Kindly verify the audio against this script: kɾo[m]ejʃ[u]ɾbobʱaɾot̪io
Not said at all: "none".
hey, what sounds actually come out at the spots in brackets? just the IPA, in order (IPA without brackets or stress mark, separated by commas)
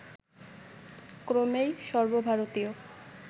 m, ɔ